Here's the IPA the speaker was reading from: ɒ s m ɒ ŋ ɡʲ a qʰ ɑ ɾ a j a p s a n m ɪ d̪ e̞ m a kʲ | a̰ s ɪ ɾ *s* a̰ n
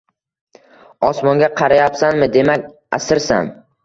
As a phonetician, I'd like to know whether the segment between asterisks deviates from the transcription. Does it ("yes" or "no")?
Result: no